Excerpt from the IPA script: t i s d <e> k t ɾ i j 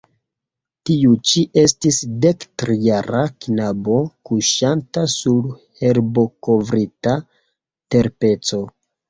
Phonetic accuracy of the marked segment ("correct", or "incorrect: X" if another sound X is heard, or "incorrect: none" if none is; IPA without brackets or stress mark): correct